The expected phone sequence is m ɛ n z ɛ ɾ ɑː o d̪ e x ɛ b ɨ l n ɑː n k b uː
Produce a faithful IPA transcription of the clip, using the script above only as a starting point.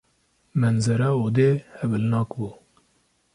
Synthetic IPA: m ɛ n z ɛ ɾ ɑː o d̪ e h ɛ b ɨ l n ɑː k b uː

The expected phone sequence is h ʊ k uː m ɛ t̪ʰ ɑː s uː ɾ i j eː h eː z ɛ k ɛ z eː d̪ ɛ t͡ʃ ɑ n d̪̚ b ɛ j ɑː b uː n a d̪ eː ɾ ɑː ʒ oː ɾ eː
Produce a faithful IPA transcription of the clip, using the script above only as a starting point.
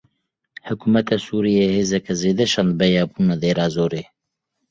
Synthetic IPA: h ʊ k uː m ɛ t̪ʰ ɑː s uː ɾ i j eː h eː z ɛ k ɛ z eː d̪ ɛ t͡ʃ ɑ n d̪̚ b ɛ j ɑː b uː n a d̪ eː ɾ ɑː z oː ɾ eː

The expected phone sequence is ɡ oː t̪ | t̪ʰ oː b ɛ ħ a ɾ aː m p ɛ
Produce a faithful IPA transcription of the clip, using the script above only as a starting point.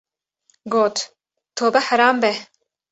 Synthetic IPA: ɡ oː t̪ | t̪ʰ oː b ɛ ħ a ɾ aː m b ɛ

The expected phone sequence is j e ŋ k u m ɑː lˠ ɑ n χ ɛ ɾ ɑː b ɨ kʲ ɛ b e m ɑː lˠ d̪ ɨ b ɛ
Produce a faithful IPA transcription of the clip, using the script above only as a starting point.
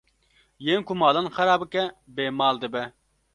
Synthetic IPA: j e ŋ k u m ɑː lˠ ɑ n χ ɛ ɾ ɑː b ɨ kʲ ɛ b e m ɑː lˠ d̪ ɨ b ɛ

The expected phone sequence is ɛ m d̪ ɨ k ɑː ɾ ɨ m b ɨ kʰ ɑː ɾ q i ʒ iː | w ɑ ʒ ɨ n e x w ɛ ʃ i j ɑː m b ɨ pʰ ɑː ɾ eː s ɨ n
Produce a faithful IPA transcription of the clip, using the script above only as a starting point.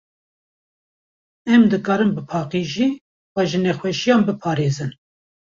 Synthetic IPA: ɛ m d̪ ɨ k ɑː ɾ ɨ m b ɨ pʰ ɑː q i ʒ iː | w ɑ ʒ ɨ n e x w ɛ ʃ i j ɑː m b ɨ pʰ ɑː ɾ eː z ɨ n

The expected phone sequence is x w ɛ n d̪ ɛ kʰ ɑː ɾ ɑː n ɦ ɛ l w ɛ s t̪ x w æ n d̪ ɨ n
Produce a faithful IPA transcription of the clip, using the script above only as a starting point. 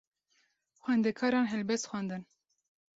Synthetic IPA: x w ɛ n d̪ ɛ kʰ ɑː ɾ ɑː n ɦ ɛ l b ɛ s t̪ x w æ n d̪ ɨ n

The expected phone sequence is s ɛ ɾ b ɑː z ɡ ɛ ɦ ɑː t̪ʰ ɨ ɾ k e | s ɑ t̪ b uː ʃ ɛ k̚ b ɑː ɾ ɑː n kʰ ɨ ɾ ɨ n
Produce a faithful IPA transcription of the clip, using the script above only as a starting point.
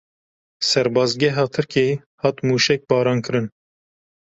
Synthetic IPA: s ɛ ɾ b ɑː z ɡ ɛ ɦ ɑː t̪ʰ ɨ ɾ k e | h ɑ t̪ m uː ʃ ɛ k̚ b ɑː ɾ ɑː n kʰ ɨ ɾ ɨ n

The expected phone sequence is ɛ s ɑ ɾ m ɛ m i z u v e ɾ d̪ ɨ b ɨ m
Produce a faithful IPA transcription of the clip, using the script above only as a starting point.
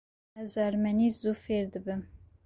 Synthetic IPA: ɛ z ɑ ɾ m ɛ n i z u f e ɾ d̪ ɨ b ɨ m

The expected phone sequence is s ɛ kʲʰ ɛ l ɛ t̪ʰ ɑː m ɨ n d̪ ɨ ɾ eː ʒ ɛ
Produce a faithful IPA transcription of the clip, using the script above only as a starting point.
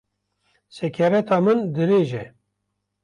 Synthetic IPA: s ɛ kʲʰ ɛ ɾ ɛ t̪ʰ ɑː m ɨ n d̪ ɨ ɾ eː ʒ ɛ

